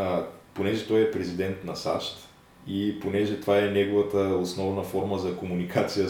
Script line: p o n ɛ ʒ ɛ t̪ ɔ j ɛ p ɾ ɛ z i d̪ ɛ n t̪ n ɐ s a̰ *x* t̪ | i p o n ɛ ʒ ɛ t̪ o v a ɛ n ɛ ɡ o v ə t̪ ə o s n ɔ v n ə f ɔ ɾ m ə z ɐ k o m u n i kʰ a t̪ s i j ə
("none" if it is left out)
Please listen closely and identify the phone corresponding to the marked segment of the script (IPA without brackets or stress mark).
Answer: ʃ